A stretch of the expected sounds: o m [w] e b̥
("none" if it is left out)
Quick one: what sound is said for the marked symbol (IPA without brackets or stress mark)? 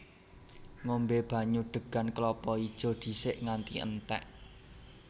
b